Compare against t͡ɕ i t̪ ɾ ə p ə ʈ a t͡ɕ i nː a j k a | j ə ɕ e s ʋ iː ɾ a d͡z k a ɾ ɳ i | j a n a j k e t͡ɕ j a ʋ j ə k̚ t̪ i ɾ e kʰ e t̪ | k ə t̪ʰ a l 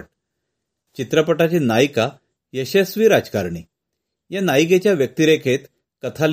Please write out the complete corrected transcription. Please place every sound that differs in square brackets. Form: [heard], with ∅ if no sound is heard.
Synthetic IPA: t͡ɕ i t̪ ɾ ə p ə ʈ a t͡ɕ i [n] a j k a | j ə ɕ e s ʋ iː ɾ a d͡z k a ɾ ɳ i | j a n a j k e t͡ɕ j a ʋ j ə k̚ t̪ i ɾ e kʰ e t̪ | k ə t̪ʰ a l